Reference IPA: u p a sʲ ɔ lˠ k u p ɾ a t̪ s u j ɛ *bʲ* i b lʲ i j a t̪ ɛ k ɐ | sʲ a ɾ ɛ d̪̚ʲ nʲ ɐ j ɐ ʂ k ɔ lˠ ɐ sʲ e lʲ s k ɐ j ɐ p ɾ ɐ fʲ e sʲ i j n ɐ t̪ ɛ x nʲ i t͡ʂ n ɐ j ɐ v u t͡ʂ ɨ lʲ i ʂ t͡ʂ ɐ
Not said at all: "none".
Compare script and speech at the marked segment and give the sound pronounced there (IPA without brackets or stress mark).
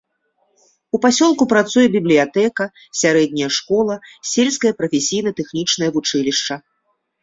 bʲ